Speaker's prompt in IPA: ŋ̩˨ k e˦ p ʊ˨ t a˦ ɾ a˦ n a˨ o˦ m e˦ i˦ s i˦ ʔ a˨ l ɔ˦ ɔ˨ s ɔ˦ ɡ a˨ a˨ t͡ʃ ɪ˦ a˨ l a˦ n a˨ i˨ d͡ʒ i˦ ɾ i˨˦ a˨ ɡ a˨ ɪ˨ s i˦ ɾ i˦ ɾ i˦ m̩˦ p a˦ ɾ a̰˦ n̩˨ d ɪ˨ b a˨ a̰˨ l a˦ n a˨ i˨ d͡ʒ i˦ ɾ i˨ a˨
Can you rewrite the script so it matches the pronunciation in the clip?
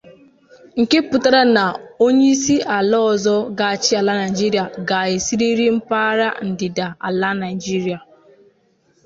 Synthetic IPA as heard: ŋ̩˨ k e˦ p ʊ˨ t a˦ ɾ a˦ n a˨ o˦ ɲ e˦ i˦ s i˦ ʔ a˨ l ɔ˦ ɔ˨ z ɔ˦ ɡ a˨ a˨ t͡ʃ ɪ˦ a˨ l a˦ n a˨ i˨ d͡ʒ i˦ ɾ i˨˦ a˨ ɡ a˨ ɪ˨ s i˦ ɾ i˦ ɾ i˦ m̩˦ p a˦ ɾ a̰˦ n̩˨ d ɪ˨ d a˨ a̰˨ l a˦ n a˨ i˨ d͡ʒ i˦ ɾ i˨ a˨

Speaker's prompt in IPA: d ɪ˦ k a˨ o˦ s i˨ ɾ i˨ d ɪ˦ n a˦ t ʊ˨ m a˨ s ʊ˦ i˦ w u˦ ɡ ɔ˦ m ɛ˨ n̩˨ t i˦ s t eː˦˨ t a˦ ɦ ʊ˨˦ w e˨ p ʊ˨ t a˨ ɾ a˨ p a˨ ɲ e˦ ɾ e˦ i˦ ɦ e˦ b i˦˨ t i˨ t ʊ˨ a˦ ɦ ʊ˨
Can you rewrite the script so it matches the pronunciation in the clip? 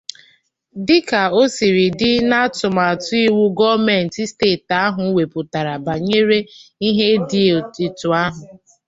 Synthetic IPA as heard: d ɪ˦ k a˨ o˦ s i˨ ɾ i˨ d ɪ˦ n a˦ t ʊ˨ m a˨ t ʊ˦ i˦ w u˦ ɡ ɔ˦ m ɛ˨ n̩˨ t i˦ s t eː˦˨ t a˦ ɦ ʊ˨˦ w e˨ p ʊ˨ t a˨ ɾ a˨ b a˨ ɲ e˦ ɾ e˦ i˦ ɦ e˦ d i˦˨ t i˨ t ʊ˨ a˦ ɦ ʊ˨

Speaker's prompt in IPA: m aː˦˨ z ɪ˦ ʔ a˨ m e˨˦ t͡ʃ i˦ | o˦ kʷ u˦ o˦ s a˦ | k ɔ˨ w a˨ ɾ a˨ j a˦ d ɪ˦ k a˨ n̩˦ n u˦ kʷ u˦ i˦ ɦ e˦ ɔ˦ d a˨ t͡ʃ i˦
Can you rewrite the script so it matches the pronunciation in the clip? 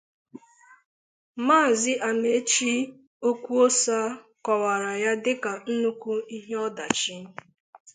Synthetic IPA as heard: m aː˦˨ z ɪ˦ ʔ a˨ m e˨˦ t͡ʃ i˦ | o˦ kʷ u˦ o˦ s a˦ | k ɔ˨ w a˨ ɾ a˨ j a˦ d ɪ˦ k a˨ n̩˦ n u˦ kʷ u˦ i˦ ɦ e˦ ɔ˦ d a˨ t͡ʃ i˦

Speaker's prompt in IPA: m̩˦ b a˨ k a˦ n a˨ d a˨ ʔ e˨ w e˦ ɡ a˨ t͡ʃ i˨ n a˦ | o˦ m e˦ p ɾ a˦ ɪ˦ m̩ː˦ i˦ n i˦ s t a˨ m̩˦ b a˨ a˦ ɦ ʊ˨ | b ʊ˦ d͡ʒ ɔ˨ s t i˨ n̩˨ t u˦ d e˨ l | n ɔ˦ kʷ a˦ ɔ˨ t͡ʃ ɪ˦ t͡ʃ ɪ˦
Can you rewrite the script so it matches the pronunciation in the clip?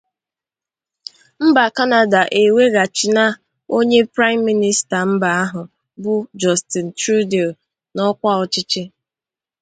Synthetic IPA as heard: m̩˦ b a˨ k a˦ n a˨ d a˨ ʔ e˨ w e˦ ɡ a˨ t͡ʃ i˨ n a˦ | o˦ ɲ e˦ p ɾ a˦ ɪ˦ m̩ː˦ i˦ n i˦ s t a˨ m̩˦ b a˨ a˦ ɦ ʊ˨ | b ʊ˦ d͡ʒ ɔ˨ s t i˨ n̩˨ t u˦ d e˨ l | n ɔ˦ kʷ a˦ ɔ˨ t͡ʃ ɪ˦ t͡ʃ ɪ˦

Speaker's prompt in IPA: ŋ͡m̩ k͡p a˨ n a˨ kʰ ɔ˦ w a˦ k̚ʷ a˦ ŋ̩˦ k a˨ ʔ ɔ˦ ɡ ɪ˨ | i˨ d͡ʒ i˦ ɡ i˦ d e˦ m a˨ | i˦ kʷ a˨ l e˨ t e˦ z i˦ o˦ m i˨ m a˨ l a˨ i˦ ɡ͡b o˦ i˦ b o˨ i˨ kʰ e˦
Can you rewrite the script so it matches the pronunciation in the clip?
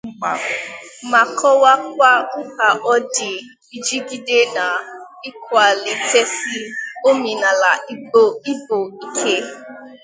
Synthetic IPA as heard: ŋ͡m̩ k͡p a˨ m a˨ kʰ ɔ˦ w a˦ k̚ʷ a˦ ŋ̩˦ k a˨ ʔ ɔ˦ d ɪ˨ | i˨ d͡ʒ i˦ ɡ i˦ d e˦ n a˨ | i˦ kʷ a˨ l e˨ t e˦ s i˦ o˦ m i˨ n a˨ l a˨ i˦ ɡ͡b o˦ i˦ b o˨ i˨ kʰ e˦

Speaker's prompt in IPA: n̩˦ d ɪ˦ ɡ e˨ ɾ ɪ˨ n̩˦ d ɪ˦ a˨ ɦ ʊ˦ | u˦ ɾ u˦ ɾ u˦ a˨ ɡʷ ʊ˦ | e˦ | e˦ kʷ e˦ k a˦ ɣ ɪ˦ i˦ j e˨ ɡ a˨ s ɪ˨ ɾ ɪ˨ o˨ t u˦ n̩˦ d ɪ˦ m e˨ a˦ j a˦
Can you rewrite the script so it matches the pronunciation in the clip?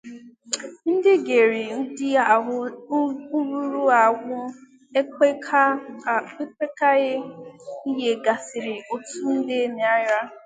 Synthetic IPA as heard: n̩˦ d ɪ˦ ɡ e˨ ɾ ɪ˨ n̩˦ d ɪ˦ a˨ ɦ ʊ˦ | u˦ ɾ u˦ ɾ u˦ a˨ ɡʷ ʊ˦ | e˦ | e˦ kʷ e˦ k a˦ ɣ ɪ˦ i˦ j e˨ ɡ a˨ s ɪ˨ ɾ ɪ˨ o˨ t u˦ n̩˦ d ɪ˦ n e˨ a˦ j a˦

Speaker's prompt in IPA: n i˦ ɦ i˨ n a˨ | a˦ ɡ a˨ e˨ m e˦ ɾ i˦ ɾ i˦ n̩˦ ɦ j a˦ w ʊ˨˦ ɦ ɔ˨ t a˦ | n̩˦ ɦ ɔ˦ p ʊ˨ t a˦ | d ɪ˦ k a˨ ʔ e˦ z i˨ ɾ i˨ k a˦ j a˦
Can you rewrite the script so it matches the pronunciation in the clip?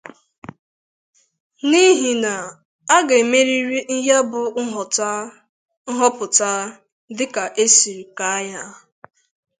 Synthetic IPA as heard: n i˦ ɦ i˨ n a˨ | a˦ ɡ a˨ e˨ m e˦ ɾ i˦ ɾ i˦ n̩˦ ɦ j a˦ b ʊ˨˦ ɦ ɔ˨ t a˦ | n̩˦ ɦ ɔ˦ p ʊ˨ t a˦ | d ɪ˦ k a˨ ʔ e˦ s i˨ ɾ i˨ k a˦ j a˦

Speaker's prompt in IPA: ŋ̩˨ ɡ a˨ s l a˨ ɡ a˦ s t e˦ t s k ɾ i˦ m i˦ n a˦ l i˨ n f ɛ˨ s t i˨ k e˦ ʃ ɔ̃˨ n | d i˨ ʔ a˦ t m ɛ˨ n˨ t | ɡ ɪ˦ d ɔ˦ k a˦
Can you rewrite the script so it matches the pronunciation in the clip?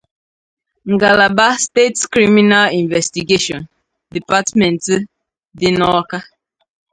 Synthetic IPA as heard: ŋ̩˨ ɡ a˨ l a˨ b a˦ s t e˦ t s k ɾ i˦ m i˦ n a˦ l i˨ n v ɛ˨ s t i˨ ɡ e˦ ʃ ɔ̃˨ n | d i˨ p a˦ t m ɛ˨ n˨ t | d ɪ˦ n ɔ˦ k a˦

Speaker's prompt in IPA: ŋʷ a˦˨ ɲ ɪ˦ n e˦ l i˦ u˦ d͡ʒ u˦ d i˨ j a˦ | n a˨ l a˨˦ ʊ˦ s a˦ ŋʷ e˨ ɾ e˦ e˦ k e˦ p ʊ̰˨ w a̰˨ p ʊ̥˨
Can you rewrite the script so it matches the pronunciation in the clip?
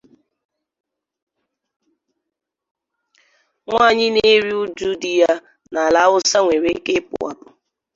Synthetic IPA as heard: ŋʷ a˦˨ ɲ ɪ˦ n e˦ ɾ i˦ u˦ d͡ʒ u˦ d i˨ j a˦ | n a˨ l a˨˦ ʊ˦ s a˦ ŋʷ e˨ ɾ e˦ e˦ k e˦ p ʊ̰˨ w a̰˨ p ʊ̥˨

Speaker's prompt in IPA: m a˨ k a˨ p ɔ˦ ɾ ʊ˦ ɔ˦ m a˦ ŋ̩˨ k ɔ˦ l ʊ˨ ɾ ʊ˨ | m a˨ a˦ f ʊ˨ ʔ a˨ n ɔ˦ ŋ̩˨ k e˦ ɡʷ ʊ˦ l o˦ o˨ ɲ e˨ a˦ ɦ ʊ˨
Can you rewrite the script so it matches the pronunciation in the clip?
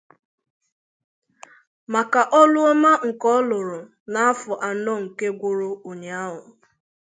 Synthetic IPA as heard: m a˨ k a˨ ʔ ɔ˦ l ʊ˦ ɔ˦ m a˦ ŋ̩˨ k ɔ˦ l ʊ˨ ɾ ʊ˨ | n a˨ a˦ f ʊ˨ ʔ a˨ n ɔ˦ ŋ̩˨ k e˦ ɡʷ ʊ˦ ɾ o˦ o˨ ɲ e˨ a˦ ɦ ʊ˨

